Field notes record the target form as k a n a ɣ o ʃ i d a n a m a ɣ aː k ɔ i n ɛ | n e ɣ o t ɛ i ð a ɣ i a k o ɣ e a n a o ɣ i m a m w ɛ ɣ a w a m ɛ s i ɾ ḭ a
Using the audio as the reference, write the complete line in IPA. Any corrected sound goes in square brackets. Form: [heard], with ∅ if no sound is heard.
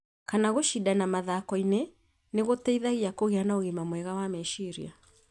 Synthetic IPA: k a n a ɣ o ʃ i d a n a m a [ð] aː k ɔ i n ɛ | n e ɣ o t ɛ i ð a ɣ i a k o ɣ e a n a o ɣ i m a m w ɛ ɣ a w a m ɛ [ʃ] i ɾ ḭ a